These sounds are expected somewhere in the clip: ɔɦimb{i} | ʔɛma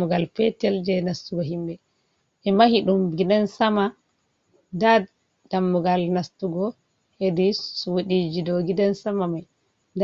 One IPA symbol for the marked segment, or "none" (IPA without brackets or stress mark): ɛ